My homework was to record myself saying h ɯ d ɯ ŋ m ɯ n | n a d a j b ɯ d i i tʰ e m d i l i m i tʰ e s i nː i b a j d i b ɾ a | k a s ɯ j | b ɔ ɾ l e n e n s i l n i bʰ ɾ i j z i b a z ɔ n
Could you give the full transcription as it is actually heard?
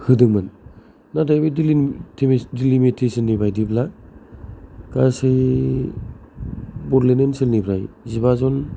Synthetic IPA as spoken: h ɯ d ɯ ŋ m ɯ n | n a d a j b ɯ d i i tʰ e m d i l i m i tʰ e s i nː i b a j d i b l a | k a s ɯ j | b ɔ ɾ l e n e n s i l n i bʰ ɾ a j z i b a z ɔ n